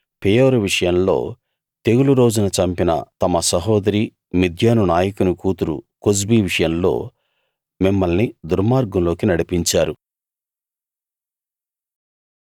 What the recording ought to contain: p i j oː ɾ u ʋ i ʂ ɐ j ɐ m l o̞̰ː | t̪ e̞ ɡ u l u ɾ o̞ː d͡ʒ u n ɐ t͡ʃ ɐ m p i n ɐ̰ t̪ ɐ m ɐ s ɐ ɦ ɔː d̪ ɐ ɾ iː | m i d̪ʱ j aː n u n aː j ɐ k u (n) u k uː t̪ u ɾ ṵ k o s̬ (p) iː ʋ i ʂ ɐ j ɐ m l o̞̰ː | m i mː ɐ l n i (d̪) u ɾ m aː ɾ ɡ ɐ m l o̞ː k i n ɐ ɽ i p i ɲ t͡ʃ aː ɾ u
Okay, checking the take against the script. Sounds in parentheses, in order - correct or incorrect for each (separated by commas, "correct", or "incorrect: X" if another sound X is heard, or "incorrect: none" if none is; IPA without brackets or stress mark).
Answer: correct, incorrect: b, correct